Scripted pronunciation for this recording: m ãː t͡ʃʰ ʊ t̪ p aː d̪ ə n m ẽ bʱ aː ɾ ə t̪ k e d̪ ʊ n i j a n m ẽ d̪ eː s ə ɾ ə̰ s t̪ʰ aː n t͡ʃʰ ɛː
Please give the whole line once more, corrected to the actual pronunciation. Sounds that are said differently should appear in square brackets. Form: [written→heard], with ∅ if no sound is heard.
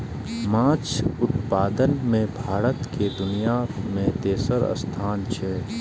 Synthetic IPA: m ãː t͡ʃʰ ʊ t̪ p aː d̪ ə n m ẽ bʱ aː ɾ ə t̪ k e d̪ ʊ n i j a [n→∅] m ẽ [d̪→t̪] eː s ə ɾ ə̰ s t̪ʰ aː n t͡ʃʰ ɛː